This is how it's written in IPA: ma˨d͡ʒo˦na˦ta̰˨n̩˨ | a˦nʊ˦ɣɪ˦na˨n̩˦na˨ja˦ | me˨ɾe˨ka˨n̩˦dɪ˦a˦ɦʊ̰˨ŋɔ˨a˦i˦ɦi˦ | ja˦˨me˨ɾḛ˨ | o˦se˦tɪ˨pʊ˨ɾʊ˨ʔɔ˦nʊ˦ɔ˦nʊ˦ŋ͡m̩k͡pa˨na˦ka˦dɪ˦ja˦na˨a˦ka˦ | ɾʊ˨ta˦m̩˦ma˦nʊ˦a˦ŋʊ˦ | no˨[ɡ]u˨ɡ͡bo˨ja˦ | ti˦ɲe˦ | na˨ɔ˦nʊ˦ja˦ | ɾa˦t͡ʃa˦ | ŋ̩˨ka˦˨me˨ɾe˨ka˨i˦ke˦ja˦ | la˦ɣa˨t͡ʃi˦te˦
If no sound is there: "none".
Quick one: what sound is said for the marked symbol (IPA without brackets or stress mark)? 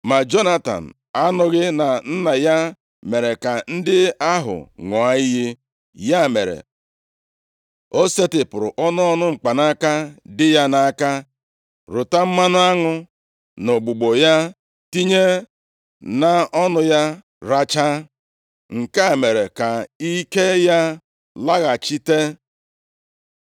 ɡ͡b